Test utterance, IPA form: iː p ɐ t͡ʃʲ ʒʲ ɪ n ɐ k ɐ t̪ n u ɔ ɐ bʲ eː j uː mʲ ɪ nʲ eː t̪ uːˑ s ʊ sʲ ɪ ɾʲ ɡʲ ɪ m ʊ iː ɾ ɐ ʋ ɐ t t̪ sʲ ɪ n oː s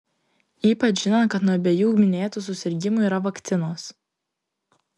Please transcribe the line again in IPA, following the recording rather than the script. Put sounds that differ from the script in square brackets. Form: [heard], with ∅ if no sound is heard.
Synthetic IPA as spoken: iː p ɐ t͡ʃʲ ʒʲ ɪ n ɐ k ɐ t̪ n u ɔ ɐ bʲ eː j uː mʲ ɪ nʲ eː t̪ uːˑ s ʊ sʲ ɪ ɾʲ ɡʲ ɪ m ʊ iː ɾ ɐ ʋ ɐ [k] t̪ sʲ ɪ n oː s